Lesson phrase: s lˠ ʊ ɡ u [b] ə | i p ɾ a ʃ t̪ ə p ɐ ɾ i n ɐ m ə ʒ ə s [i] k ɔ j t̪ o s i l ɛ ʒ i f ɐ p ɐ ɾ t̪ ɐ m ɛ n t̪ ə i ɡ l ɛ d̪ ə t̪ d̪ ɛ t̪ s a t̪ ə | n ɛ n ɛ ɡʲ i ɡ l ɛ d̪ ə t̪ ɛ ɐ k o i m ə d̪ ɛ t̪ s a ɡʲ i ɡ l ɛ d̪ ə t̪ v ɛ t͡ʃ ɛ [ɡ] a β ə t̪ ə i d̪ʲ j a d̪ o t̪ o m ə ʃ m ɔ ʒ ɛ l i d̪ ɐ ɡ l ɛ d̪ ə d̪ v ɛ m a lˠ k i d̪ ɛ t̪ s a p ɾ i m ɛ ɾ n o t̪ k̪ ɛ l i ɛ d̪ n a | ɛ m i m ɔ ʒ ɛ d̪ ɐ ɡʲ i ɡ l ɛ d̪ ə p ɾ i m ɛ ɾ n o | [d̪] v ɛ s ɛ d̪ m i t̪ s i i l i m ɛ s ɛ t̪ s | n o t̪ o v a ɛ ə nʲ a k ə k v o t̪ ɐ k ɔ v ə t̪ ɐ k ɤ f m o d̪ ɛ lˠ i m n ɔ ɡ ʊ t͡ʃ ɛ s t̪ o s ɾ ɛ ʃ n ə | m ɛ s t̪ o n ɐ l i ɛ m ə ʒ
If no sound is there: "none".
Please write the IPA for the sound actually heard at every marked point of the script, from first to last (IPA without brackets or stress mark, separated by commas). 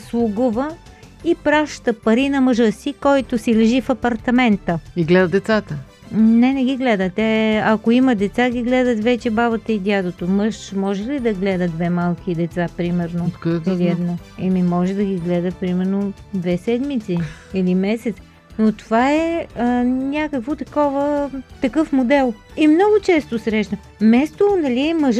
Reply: v, i, b, d̪